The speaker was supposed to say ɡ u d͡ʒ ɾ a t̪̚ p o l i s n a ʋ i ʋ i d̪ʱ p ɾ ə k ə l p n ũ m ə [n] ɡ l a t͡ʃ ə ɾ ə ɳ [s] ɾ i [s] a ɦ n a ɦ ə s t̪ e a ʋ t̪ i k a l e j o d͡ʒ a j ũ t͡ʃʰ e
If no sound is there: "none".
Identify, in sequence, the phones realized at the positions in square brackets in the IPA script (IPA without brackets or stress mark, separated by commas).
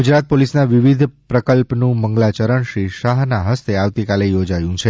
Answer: ŋ, ʃ, ʃ